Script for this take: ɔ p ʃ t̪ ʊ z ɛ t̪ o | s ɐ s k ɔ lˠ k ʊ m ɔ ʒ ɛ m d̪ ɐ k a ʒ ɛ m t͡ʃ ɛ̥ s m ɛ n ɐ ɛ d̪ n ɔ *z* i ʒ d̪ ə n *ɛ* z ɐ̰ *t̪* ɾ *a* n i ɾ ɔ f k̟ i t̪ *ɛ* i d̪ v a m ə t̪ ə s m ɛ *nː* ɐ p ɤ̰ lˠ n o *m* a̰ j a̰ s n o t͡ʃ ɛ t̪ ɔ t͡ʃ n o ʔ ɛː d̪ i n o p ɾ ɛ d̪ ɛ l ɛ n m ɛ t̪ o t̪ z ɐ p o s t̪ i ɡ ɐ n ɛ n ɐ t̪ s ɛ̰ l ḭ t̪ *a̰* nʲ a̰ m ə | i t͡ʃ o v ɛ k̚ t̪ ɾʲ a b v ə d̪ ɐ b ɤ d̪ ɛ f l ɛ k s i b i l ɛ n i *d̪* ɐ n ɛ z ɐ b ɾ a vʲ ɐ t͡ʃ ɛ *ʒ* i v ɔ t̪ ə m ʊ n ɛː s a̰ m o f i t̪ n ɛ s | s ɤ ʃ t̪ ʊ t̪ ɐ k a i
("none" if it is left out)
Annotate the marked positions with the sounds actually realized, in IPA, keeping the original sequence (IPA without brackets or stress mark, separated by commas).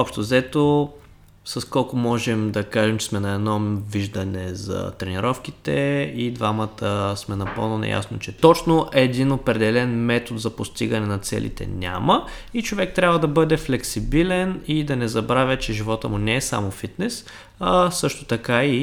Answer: v, ɛ, t̪, ɛ, ɛ, n, n, ɛ̰, d̪, ʒ